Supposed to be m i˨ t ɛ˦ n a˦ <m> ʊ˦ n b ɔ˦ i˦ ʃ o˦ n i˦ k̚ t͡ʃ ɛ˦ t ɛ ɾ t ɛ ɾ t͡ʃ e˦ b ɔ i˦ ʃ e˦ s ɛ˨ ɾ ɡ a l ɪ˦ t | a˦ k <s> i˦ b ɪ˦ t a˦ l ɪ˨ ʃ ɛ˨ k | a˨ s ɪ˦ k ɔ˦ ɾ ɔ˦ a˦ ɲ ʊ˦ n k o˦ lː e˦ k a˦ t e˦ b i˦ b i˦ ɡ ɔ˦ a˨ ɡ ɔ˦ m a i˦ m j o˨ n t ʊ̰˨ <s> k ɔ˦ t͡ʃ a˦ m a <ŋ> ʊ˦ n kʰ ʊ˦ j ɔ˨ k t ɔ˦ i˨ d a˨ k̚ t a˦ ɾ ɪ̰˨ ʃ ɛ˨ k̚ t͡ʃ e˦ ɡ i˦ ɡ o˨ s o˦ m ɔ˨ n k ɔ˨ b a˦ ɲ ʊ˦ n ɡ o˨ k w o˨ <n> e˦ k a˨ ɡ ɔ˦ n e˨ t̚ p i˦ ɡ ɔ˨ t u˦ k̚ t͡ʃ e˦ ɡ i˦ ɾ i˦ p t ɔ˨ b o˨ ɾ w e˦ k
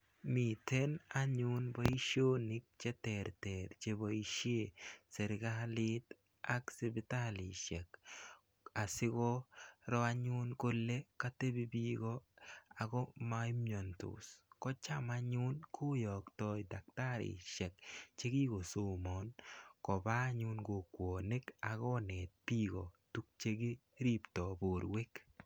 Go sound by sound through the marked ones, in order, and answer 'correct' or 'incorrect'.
incorrect: ɲ, correct, correct, incorrect: ɲ, correct

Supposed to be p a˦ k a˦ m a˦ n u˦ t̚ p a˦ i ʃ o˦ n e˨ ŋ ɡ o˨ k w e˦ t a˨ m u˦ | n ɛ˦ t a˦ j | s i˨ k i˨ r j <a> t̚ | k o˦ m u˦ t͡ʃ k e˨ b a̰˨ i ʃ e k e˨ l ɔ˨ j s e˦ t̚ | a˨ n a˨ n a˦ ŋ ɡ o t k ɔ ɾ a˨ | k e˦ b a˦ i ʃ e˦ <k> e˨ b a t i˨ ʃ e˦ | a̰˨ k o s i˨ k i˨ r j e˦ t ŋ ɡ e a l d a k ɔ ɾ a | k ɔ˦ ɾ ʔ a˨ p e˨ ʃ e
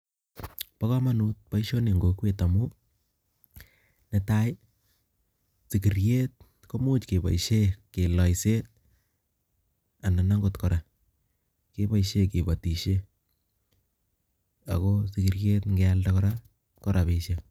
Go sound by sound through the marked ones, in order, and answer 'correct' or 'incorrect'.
incorrect: e, correct

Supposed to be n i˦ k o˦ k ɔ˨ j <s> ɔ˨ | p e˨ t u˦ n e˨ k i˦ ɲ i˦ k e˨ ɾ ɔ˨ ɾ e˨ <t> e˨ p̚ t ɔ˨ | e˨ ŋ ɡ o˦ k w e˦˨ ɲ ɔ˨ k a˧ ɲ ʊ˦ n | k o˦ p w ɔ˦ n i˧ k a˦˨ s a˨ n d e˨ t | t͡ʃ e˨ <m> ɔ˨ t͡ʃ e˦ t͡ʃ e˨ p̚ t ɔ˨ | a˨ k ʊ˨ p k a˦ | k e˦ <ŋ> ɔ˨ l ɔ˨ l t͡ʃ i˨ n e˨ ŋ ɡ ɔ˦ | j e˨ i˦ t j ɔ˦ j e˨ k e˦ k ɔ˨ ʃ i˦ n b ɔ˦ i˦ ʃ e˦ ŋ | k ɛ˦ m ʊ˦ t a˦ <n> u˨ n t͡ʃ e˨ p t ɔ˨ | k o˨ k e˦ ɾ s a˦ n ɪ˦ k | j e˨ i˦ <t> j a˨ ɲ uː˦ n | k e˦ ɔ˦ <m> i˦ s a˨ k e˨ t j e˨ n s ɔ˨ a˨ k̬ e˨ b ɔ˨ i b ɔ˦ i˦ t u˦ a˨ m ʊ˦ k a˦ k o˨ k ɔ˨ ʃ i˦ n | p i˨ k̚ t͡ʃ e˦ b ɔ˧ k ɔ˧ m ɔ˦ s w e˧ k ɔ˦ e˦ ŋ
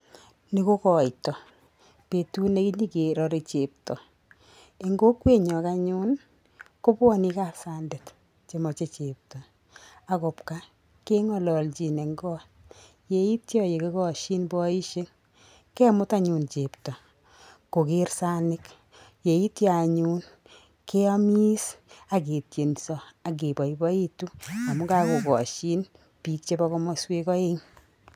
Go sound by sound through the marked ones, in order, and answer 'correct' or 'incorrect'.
incorrect: t, incorrect: t͡ʃ, correct, correct, incorrect: ɲ, correct, correct

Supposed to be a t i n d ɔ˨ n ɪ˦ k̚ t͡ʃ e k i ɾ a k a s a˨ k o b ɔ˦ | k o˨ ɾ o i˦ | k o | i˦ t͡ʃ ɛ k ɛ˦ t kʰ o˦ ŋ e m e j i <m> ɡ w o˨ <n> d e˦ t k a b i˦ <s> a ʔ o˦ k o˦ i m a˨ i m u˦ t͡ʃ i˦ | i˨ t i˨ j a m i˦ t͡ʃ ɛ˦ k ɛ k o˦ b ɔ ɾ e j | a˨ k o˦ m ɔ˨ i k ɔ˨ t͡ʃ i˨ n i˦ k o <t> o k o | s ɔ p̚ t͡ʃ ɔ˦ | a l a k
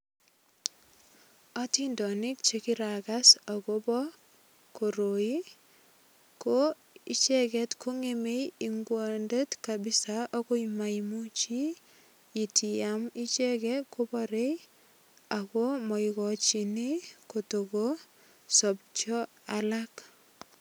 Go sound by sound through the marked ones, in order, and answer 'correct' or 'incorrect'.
incorrect: ŋ, correct, correct, correct

